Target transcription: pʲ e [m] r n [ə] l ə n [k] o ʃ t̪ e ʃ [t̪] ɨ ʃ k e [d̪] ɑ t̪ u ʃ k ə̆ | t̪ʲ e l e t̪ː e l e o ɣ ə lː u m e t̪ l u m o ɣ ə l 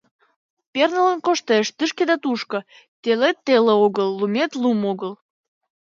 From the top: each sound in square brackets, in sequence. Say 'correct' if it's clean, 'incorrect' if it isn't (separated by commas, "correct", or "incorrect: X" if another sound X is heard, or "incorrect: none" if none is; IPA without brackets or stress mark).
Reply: incorrect: none, correct, correct, correct, correct